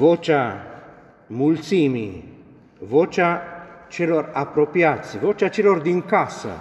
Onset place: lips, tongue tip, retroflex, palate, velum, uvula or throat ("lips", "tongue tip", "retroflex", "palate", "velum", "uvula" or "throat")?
lips